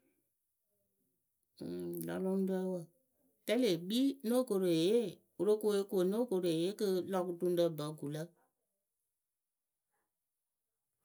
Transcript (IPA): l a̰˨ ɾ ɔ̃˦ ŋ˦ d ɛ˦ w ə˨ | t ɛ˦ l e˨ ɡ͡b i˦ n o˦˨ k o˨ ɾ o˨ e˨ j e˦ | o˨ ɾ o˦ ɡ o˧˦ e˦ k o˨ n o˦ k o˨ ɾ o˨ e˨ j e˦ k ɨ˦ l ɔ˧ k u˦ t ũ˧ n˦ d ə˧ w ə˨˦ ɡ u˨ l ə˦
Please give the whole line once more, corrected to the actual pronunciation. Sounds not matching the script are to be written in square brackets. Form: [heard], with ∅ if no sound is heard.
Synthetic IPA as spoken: l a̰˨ [l] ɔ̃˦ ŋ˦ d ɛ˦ w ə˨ | t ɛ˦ l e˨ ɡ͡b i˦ n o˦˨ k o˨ ɾ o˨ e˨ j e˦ | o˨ ɾ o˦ [k] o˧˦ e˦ k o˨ n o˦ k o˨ ɾ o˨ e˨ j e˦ k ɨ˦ l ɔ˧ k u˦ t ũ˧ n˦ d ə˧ [b] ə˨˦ ɡ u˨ l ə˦